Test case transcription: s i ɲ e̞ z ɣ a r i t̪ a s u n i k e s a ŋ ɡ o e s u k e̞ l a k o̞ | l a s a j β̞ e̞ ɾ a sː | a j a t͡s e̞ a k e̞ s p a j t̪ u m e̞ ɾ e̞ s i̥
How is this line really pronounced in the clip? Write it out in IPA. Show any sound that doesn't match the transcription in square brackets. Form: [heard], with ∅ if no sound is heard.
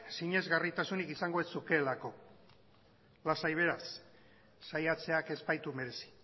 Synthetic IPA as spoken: s i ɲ e̞ z ɣ a r i t̪ a s u n i k [i] s a ŋ ɡ o e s u k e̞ l a k o̞ | l a s a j β̞ e̞ ɾ a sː | a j a t͡s e̞ a k e̞ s p a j t̪ u m e̞ ɾ e̞ s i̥